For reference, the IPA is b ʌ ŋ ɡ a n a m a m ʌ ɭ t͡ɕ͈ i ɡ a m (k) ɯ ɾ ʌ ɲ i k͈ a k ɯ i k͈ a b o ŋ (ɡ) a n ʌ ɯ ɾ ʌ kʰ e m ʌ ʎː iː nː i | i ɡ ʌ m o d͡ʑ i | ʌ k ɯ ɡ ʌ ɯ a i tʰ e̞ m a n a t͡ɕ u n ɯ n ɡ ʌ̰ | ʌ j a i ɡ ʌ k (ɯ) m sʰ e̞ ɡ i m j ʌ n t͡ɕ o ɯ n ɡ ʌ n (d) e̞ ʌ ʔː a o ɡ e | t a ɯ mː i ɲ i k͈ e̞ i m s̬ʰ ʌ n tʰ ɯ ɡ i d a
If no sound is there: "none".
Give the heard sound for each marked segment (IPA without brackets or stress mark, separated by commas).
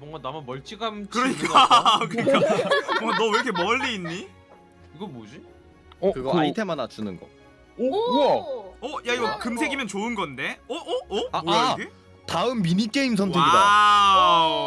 k, ɡ, ɯ, d